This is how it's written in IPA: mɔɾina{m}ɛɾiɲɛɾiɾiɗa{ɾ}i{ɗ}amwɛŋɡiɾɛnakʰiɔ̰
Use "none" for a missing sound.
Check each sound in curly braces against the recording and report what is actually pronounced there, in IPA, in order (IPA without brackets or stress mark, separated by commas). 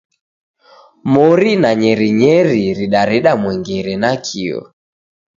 ɲ, ɾ, ɗ